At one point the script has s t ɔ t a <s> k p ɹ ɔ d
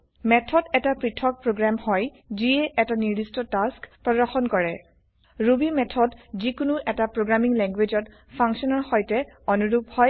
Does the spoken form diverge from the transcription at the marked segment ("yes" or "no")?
no